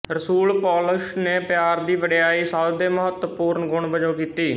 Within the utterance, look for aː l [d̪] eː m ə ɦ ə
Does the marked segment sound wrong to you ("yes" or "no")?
no